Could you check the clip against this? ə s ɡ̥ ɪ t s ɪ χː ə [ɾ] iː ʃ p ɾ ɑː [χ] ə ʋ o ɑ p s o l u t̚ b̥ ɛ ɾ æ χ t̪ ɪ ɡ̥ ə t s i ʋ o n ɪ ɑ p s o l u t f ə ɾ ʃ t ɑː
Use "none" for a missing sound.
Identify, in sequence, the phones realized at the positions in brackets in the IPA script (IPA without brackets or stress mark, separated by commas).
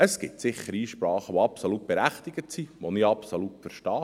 ɾ, χ